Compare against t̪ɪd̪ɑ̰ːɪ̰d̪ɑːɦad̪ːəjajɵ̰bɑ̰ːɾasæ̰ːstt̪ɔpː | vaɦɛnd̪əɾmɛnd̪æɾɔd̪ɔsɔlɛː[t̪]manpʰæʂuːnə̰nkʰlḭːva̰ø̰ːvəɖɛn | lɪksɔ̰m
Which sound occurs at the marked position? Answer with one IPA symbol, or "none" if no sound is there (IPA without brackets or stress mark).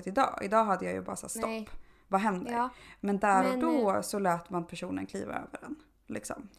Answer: t̪